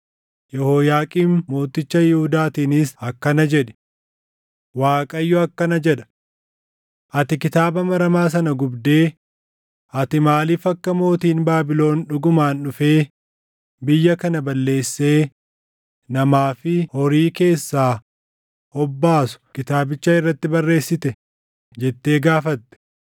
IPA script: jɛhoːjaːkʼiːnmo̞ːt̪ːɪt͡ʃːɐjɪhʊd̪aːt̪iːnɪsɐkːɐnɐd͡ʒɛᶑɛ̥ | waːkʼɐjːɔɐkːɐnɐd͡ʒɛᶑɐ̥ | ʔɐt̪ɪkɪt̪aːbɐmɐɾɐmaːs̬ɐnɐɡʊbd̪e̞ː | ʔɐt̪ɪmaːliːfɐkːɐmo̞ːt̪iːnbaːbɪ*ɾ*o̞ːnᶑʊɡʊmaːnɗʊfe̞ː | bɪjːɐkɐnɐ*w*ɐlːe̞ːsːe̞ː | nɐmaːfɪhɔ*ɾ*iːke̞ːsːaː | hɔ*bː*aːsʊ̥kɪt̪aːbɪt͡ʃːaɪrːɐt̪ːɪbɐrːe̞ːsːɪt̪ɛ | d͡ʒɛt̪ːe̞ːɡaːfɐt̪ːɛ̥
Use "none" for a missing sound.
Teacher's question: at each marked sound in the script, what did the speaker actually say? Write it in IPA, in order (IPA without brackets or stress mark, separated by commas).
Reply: l, b, ɾ, bː